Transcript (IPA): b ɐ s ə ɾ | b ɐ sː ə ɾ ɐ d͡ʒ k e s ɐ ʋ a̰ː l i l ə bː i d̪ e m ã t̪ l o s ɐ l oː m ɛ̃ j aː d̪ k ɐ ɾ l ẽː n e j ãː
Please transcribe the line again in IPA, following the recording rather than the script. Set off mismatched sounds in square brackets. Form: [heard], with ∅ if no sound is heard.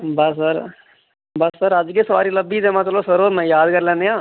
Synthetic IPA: b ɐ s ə ɾ | b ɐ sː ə ɾ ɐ d͡ʒ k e s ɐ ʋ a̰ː [ɾ] i l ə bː i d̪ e m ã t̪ l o s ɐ [ɾ] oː m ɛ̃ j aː d̪ k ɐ ɾ l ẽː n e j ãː